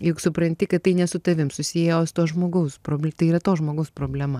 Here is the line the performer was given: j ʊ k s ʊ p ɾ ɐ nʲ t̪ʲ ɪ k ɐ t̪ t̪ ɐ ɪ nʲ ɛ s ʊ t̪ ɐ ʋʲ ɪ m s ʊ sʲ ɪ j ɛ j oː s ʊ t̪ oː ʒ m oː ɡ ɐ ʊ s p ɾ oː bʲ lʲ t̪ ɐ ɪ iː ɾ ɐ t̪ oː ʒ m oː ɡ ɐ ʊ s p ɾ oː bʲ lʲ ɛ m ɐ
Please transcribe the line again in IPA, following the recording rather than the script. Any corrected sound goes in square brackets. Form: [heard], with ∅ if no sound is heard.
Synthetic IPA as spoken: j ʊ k s ʊ p ɾ ɐ nʲ t̪ʲ ɪ k ɐ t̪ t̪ ɐ ɪ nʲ ɛ s ʊ t̪ ɐ ʋʲ ɪ m s ʊ sʲ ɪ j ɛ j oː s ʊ t̪ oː ʒ m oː ɡ ɐ ʊ s p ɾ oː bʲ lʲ t̪ ɐ ɪ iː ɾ ɐ t̪ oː ʒ m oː ɡ ɐ ʊ s p ɾ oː bʲ lʲ ɛ m ɐ